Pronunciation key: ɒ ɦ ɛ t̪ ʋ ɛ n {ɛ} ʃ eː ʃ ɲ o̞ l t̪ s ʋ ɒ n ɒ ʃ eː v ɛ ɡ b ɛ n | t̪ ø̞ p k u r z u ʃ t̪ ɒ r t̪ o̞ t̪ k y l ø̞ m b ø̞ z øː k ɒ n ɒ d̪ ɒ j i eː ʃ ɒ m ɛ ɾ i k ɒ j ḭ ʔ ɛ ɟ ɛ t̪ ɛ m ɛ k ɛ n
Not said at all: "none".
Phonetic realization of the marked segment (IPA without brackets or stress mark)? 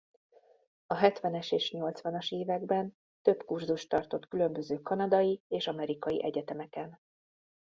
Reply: ɛ